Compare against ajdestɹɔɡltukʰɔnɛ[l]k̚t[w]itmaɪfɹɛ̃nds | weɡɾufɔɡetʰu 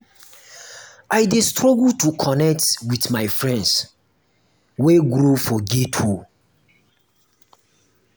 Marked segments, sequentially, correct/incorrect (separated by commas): incorrect, correct